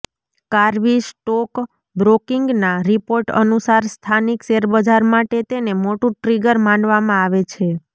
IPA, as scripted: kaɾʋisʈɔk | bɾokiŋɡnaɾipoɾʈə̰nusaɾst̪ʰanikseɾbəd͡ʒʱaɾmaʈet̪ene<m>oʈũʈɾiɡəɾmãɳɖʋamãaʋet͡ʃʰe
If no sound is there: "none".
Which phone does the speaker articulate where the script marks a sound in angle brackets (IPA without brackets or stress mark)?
m